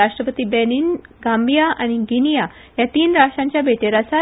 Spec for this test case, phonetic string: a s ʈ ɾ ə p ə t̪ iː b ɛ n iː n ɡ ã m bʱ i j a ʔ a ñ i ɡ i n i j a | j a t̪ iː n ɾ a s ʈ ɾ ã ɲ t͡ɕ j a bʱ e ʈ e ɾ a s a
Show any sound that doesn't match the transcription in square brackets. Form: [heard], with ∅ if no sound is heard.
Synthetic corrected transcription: a [ʂ] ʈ ɾ ə p ə t̪ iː b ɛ n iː n ɡ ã m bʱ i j a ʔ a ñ i ɡ i n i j a | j a t̪ iː n ɾ a [ʂ] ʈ ɾ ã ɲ t͡ɕ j a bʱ e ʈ e ɾ a s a